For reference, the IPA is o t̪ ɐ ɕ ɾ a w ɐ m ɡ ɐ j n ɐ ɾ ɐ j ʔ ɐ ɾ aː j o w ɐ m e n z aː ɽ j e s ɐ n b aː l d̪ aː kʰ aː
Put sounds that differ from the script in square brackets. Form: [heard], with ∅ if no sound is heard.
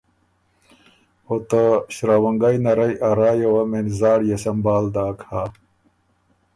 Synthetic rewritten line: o t̪ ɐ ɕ ɾ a w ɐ [ŋ] ɡ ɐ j n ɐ ɾ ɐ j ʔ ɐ ɾ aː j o w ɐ m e n z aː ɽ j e s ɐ [m] b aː l d̪ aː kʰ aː